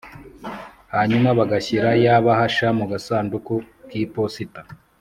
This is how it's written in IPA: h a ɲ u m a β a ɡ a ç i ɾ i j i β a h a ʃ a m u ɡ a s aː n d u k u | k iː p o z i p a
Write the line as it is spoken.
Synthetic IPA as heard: h a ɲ u m a β a ɡ a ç i ɾ a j a β a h a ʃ a m u ɡ a s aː n d u k u | k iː p o s i t a